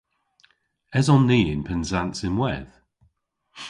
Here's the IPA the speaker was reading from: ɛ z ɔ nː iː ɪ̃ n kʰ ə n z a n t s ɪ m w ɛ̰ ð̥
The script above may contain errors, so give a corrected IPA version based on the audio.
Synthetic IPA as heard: ɛ z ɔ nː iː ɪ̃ n pʰ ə n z a n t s ɪ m w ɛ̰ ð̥